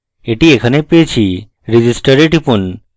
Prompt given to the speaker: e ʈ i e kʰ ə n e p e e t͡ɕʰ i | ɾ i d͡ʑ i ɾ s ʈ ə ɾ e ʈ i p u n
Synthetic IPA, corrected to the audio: e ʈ i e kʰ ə n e p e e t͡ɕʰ i | ɾ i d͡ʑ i s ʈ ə ɾ e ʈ i p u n